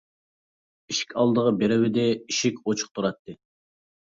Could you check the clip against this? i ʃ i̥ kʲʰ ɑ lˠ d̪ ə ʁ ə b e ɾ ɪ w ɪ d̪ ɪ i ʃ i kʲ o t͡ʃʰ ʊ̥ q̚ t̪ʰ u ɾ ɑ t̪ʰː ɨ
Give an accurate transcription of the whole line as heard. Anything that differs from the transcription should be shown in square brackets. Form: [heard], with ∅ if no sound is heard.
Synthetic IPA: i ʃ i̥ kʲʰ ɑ lˠ d̪ ə ʁ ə b e ɾ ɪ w ɪ d̪ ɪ i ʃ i kʲ o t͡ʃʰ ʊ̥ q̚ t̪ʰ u ɾ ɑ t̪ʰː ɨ